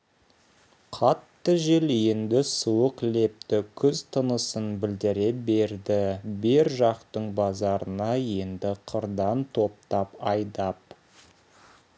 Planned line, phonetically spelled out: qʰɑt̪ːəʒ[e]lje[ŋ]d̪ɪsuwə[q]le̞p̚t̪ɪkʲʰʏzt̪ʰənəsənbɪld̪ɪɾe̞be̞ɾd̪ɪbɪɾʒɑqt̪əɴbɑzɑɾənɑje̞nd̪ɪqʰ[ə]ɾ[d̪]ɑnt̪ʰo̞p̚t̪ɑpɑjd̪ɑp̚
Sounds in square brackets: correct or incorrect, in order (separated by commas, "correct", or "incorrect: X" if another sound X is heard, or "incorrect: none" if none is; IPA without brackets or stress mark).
correct, incorrect: n, correct, correct, correct